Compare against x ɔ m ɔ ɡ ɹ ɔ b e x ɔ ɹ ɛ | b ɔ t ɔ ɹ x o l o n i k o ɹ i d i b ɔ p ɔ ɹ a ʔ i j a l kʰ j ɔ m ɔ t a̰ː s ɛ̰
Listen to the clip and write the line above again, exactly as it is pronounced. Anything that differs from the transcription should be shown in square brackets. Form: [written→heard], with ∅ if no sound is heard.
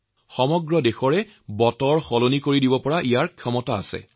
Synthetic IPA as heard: x ɔ m ɔ ɡ ɹ ɔ [b→d] e x ɔ ɹ ɛ | b ɔ t ɔ ɹ x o l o n i k o ɹ i d i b ɔ p ɔ ɹ a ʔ i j a [l→ɹ] kʰ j ɔ m ɔ t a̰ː s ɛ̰